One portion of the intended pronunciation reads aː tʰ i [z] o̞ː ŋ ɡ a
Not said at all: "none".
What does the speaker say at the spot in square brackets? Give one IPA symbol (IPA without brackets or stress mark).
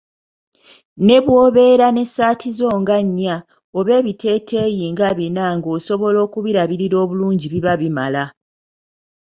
z